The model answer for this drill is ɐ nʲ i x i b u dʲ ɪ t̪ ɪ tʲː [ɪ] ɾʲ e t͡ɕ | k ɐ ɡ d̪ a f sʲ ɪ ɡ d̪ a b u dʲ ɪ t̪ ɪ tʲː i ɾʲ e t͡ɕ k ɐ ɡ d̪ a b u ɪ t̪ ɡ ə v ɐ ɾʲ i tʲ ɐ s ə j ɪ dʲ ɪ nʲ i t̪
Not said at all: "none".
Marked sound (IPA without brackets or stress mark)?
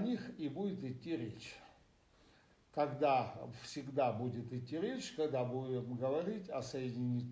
i